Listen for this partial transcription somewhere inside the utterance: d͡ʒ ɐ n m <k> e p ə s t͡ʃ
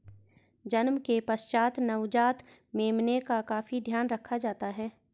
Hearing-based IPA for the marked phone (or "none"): k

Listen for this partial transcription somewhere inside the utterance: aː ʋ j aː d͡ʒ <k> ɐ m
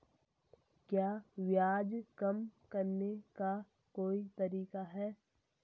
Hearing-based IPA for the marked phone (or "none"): k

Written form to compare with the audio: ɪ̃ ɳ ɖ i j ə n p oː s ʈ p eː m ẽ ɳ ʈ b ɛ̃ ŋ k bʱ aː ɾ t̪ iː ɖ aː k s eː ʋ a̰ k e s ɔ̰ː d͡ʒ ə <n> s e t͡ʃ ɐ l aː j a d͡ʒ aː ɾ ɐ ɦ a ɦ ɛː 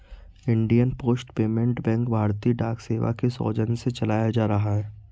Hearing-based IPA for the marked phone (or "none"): n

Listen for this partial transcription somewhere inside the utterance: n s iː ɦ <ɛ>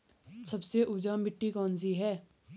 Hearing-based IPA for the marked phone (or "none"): ɛː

